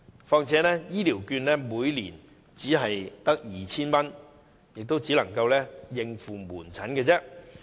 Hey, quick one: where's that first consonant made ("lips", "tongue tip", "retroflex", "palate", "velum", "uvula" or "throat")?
lips